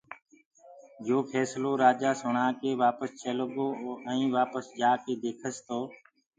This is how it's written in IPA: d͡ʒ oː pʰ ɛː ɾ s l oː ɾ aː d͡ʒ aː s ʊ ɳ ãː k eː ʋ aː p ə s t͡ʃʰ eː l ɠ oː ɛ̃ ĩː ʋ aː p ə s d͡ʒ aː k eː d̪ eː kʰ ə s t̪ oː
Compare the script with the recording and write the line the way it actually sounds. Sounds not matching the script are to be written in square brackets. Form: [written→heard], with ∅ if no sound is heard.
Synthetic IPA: d͡ʒ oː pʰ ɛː [ɾ→∅] s l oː ɾ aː d͡ʒ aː s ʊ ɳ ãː k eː ʋ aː p ə s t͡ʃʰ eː l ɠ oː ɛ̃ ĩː ʋ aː p ə s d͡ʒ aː k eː d̪ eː kʰ ə s t̪ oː